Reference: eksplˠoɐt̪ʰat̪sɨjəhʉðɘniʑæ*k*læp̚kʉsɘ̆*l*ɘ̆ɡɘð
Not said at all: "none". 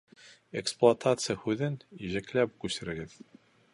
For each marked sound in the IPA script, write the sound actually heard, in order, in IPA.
k, ɾ

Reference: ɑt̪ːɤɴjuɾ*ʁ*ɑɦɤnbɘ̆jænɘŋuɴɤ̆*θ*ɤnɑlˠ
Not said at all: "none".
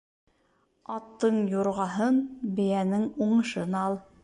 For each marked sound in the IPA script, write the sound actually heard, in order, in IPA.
ʁ, ʃ

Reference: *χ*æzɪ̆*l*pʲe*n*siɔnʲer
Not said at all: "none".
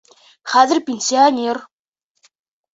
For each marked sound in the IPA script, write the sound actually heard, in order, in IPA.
χ, r, n

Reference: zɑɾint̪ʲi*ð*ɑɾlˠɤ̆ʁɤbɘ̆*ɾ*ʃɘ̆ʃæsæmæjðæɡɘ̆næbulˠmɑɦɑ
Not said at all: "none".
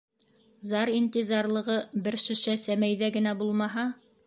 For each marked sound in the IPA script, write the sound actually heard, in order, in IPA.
z, ɾ

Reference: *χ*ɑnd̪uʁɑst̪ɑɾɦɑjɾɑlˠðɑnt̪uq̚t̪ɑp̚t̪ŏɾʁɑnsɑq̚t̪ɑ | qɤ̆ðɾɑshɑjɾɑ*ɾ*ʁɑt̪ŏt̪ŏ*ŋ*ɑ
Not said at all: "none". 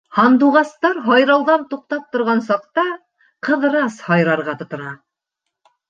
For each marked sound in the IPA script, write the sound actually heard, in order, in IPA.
h, ɾ, n

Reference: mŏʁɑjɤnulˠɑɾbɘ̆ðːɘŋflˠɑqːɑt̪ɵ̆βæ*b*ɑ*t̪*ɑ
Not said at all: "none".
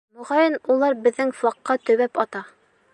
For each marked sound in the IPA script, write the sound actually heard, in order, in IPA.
p, t̪

